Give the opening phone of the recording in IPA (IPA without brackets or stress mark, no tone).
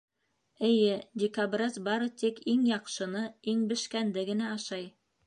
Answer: ɘ̆